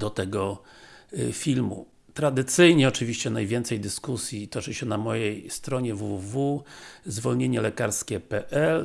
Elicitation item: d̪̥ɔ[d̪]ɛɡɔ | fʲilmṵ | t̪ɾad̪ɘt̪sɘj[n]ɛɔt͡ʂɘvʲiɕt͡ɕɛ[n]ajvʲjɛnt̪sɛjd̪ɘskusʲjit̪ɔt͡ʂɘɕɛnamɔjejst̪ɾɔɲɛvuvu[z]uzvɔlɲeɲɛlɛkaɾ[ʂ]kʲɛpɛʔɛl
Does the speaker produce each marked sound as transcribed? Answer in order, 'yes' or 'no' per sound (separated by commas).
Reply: no, no, yes, no, no